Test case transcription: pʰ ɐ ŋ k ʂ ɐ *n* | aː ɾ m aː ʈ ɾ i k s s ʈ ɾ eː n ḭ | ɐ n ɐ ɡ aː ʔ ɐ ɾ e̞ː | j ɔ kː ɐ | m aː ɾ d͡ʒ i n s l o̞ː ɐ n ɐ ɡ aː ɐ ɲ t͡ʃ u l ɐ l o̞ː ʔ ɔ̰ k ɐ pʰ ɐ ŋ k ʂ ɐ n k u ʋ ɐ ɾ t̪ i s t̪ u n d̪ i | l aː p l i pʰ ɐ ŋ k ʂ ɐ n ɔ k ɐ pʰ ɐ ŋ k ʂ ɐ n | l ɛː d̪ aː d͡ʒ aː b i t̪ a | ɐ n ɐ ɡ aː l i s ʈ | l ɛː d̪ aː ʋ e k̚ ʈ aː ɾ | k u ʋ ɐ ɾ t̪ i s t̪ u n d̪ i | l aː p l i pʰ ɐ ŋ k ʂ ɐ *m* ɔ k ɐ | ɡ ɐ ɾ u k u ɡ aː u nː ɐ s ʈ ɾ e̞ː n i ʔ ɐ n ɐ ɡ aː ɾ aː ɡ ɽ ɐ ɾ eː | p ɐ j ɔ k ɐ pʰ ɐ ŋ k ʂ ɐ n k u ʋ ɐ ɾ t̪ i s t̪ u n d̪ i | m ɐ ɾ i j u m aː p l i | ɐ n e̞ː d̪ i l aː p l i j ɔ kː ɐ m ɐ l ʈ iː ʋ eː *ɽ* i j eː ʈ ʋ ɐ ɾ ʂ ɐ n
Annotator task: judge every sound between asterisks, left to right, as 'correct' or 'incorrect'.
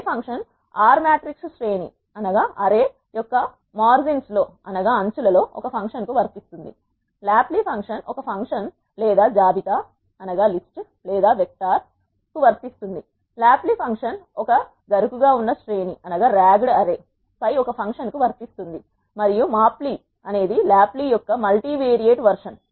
correct, incorrect, incorrect

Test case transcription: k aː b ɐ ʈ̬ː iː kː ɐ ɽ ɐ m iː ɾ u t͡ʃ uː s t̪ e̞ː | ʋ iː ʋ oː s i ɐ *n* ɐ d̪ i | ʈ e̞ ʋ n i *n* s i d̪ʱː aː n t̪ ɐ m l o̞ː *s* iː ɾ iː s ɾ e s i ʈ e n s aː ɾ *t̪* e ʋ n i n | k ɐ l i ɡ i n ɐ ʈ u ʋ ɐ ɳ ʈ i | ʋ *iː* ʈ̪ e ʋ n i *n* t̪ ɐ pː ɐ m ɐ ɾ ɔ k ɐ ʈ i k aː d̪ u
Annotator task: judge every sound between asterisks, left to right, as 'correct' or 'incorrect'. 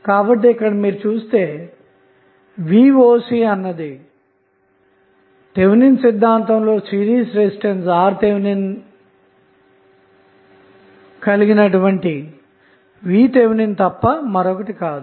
incorrect, correct, correct, correct, correct, correct

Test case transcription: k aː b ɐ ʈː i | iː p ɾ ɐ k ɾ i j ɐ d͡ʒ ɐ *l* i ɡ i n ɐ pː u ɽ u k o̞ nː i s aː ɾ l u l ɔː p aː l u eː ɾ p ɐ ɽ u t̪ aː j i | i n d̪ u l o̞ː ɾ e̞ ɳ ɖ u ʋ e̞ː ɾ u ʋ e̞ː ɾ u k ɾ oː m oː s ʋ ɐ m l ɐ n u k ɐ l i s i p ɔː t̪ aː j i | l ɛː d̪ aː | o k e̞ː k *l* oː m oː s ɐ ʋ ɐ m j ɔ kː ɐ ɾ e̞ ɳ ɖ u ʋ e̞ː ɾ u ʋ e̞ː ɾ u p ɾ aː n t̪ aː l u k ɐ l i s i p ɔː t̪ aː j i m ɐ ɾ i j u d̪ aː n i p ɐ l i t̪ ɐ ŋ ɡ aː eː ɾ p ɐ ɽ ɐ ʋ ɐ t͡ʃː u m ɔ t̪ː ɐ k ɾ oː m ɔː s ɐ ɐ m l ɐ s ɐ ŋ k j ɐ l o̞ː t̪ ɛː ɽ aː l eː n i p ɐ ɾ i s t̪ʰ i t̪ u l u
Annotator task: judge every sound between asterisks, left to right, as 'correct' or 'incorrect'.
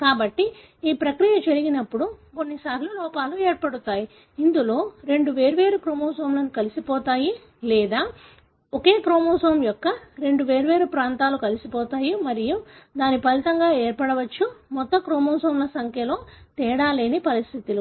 incorrect, incorrect

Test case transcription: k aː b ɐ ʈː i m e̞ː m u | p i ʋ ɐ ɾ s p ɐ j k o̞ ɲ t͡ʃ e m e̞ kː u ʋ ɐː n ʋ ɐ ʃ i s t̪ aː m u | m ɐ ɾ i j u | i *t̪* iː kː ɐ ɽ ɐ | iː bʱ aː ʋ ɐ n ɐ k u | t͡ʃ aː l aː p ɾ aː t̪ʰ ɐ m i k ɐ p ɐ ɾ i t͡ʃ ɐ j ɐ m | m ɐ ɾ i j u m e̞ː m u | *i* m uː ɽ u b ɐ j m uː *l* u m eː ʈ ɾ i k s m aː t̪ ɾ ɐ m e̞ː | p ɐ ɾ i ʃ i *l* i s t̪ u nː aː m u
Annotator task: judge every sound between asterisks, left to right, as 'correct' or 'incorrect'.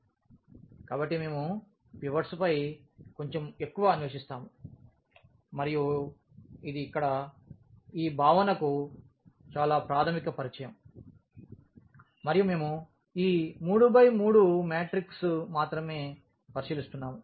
incorrect, incorrect, incorrect, correct

